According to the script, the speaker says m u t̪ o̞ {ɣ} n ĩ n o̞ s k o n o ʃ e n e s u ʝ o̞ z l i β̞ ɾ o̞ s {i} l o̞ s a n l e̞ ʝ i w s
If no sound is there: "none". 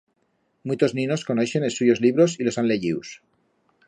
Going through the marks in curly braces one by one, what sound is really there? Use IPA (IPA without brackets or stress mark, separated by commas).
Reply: z, i